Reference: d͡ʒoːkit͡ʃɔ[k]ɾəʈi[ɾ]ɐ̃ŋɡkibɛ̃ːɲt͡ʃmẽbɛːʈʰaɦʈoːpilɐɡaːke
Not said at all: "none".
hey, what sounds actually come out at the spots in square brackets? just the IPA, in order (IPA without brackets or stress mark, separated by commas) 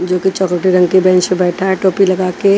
k, ɾ